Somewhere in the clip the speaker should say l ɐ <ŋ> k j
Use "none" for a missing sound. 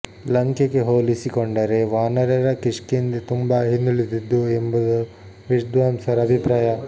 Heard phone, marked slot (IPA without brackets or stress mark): ŋ